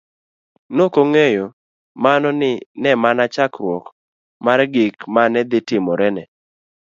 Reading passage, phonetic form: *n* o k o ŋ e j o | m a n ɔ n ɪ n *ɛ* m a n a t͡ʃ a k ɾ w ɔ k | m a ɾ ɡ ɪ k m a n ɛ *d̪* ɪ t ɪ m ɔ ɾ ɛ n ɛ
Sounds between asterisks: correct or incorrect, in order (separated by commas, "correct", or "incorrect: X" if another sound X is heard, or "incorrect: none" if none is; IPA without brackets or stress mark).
correct, correct, correct